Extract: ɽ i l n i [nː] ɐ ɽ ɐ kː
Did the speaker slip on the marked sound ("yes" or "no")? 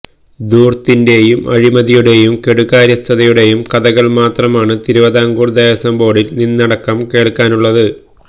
no